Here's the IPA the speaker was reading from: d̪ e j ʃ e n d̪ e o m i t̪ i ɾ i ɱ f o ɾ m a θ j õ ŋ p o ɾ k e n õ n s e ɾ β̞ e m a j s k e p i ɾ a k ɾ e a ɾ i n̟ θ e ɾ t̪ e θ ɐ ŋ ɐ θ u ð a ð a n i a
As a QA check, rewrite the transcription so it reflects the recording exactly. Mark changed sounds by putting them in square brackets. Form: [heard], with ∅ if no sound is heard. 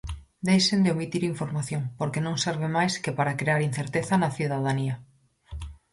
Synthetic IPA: d̪ e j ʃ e n d̪ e o m i t̪ i ɾ i ɱ f o ɾ m a θ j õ ŋ p o ɾ k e n õ [ŋ] s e ɾ β̞ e m a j s k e p [a] ɾ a k ɾ e a ɾ i n̟ θ e ɾ t̪ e θ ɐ [n] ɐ θ u ð a ð a n i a